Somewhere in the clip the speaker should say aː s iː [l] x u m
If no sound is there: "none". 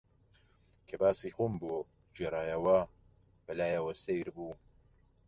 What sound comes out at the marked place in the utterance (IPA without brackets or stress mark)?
none